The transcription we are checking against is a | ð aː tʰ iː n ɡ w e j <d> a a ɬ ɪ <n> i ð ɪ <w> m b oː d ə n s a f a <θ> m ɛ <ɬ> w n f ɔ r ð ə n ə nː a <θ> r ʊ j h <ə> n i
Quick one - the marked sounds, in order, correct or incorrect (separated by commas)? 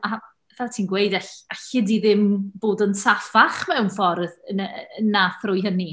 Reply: correct, incorrect, incorrect, incorrect, incorrect, correct, correct